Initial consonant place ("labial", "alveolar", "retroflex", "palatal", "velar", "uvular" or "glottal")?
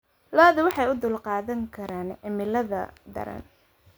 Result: alveolar